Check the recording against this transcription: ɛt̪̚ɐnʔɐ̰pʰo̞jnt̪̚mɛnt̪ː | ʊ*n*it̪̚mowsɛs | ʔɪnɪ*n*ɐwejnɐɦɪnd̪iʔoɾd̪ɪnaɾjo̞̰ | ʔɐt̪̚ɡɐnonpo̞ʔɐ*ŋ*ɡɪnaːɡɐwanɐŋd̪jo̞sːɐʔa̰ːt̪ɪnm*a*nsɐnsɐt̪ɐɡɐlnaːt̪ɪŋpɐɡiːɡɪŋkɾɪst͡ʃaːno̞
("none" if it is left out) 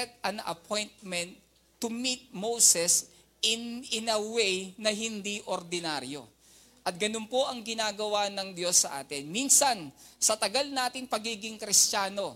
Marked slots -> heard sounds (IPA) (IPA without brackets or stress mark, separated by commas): m, n, ŋ, i